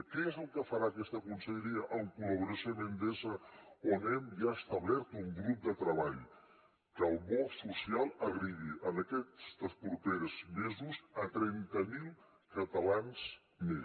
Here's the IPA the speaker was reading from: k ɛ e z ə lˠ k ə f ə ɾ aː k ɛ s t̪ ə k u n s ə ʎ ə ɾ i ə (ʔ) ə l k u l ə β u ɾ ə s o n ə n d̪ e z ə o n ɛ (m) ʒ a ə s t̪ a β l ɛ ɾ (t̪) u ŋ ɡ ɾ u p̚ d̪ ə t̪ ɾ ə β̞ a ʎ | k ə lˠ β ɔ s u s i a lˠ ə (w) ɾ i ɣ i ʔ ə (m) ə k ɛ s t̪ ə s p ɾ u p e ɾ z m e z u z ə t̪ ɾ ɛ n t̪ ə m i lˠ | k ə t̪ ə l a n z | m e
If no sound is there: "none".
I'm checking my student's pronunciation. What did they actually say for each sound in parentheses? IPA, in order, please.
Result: ʔ, m, t̪, ɣ, n

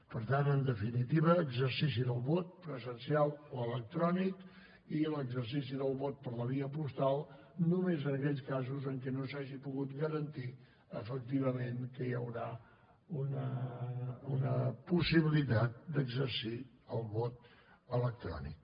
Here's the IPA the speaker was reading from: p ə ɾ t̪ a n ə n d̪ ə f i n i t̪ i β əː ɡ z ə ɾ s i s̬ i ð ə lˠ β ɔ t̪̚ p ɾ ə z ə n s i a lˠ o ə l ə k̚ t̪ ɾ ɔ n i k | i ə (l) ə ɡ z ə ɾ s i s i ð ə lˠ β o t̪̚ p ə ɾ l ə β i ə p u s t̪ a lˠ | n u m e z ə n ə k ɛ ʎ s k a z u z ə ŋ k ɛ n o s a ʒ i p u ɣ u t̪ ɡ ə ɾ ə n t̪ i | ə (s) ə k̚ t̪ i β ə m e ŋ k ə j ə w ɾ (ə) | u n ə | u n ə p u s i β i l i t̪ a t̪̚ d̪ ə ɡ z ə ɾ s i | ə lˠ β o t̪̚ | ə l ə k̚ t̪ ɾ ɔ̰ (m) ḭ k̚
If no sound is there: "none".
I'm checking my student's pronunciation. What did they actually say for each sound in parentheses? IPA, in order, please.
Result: l, f, a, n

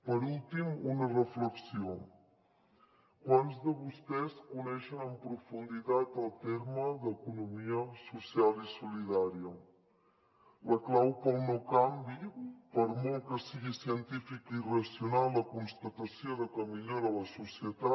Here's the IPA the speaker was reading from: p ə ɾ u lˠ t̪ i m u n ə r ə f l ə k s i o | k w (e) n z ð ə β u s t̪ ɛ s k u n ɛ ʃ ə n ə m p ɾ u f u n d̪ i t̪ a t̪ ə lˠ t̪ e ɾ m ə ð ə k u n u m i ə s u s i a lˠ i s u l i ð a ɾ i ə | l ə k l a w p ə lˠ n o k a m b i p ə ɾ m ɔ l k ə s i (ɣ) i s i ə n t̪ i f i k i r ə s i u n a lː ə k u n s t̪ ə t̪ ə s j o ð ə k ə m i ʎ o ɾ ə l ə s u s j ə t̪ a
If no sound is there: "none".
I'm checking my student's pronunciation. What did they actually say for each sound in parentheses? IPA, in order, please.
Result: a, ɣ

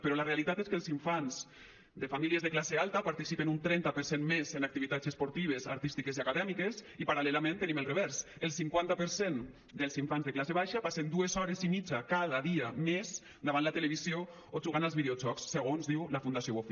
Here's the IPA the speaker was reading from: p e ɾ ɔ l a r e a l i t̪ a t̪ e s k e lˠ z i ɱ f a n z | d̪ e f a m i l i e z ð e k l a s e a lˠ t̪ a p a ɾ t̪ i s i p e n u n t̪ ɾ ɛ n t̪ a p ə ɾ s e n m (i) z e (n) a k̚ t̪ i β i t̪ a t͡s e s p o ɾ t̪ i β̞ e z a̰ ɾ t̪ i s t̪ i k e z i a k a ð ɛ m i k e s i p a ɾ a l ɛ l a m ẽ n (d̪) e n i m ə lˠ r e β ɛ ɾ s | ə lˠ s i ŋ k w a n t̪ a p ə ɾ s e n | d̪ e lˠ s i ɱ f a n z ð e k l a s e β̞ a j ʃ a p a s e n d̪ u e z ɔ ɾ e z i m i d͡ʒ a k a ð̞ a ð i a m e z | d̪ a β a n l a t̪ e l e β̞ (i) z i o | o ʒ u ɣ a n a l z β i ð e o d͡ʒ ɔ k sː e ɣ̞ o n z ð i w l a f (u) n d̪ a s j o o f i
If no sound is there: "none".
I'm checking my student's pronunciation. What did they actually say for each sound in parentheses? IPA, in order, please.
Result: e, n, t̪, i, u

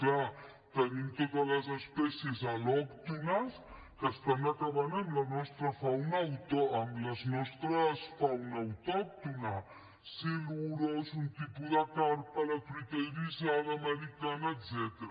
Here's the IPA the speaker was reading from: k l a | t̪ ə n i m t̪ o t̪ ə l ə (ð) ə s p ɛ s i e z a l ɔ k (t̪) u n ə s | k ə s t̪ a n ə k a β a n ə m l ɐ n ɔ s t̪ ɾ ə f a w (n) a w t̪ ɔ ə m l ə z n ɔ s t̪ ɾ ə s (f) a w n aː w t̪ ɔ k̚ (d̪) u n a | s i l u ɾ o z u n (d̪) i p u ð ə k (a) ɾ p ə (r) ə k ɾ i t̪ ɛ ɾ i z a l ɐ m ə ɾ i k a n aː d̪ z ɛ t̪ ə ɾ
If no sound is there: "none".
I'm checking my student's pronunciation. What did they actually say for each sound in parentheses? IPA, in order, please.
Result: z, t̪, n, f, t̪, t̪, a, l

